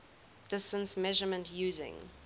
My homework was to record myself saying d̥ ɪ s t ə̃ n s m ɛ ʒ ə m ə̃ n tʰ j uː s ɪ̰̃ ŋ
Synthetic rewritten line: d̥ ɪ s t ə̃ n s m ɛ ʒ ə m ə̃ n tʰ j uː z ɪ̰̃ ŋ